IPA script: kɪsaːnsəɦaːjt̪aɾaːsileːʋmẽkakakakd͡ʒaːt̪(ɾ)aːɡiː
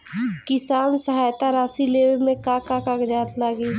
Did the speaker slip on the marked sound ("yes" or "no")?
yes